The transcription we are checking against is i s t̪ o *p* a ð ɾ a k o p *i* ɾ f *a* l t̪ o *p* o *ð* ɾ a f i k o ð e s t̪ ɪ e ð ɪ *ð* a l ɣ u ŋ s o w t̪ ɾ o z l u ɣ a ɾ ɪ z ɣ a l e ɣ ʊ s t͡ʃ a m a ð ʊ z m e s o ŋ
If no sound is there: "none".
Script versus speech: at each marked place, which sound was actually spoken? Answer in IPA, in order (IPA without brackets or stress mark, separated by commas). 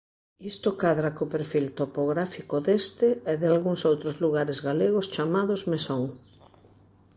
k, e, i, p, ɣ, none